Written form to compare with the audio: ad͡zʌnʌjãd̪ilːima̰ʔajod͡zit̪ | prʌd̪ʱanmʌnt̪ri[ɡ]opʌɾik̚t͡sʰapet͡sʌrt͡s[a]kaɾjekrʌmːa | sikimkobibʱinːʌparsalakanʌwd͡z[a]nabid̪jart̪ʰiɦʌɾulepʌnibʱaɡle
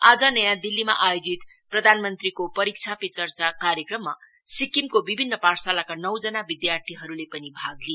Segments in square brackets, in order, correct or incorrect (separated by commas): incorrect, correct, incorrect